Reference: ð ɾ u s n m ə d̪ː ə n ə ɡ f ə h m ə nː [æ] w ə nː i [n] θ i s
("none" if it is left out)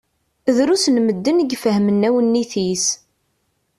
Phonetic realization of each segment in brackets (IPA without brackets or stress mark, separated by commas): æ, none